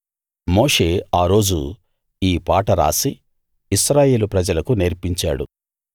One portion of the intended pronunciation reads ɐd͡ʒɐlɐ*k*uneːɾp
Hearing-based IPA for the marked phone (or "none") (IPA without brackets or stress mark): k